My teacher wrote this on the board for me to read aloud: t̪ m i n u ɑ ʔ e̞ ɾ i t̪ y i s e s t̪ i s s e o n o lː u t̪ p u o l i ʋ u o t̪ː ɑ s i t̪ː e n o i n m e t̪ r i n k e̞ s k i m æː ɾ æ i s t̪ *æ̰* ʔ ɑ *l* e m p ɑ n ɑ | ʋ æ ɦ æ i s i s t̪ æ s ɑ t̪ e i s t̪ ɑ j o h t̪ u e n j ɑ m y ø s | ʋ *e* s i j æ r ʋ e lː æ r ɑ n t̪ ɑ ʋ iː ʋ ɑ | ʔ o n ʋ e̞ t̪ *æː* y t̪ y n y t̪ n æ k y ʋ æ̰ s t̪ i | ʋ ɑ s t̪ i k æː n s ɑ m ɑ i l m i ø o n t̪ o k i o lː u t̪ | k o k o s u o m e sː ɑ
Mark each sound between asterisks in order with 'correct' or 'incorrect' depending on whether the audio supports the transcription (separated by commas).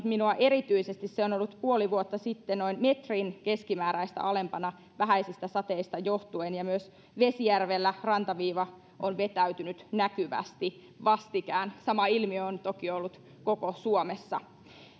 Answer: correct, correct, correct, incorrect